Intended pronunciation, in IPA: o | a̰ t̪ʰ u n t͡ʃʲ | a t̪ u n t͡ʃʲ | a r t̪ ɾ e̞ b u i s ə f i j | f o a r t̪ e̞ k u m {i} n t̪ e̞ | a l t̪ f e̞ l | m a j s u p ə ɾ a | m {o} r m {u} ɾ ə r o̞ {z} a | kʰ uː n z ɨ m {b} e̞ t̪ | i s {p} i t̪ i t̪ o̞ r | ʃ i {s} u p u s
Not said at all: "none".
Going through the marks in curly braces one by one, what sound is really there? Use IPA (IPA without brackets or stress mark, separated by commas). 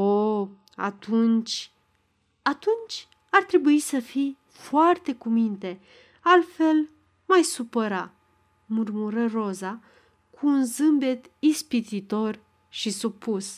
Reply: i, u, u, z, b, p, s